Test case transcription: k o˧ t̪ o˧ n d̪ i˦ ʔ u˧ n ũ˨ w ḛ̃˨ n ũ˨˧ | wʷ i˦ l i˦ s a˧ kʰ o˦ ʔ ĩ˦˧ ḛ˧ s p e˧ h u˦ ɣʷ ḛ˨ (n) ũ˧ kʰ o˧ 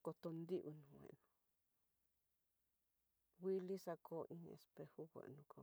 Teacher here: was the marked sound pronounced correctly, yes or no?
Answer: yes